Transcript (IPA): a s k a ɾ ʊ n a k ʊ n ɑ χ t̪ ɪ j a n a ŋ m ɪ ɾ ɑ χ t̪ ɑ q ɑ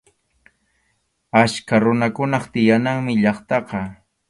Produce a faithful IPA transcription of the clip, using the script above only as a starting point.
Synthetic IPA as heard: a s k a ɾ ʊ n a k ʊ n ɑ χ t̪ ɪ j a n a ŋ m ɪ ʎ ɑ χ t̪ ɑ q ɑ